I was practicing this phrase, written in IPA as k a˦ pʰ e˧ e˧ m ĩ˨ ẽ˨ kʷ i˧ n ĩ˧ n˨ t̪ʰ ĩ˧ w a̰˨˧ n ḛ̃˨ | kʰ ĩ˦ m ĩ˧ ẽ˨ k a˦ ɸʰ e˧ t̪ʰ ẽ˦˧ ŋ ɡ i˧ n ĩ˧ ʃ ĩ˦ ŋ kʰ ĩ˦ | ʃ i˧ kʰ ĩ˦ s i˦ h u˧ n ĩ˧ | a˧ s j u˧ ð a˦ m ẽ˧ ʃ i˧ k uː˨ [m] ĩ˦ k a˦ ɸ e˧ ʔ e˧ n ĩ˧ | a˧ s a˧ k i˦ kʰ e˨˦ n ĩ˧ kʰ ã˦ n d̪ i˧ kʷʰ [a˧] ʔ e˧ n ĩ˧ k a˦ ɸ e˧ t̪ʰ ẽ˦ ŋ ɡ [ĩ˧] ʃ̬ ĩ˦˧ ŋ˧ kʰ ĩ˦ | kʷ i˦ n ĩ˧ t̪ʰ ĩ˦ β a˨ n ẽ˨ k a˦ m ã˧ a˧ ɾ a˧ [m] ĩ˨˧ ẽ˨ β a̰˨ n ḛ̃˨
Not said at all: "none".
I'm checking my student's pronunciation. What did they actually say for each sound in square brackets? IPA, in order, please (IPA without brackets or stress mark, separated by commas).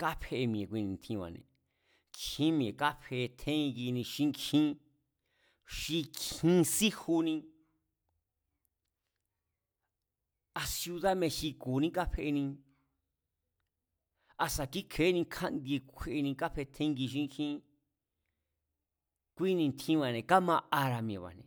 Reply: n, e˧, i˧, m